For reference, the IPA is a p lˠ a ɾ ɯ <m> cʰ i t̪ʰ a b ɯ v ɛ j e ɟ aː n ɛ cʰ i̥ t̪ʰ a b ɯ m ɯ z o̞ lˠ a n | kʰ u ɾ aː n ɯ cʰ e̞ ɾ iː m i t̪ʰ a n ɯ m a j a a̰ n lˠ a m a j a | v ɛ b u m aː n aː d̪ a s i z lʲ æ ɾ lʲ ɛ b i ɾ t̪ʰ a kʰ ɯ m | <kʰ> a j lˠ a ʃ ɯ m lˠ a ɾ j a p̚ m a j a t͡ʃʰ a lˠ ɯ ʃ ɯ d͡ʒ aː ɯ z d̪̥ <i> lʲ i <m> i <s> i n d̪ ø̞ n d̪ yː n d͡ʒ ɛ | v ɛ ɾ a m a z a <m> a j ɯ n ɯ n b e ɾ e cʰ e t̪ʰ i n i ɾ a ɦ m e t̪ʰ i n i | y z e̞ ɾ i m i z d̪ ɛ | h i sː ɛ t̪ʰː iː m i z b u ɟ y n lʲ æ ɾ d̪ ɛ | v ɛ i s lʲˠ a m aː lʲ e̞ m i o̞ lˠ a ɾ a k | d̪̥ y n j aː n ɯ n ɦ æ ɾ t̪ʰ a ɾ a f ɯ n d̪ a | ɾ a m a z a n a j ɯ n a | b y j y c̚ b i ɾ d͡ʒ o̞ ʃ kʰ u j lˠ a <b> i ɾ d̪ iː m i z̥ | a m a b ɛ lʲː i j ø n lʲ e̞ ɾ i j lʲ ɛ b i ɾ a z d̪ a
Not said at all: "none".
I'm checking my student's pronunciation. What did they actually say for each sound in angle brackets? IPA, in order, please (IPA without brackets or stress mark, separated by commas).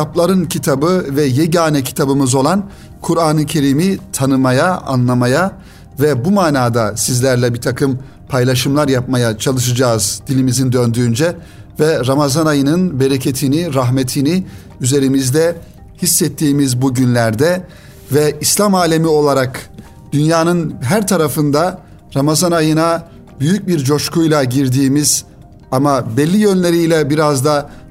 n, pʰ, i, m, z, n, ɟ